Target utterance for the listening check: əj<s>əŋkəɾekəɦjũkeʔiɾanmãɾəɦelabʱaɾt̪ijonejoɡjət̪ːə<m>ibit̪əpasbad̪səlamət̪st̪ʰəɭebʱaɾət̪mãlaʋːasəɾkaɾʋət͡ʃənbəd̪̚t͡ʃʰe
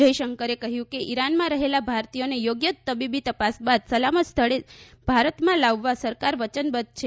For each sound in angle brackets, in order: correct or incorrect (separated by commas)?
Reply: incorrect, incorrect